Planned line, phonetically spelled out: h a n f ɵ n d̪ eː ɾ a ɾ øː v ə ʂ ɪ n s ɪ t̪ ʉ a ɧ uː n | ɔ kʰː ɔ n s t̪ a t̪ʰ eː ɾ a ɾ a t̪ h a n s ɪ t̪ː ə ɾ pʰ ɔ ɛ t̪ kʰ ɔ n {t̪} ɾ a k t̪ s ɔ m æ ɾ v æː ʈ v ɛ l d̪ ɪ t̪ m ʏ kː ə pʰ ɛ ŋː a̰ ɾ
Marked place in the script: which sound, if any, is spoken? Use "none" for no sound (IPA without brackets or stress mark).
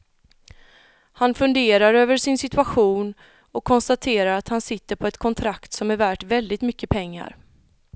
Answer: t̪ʰ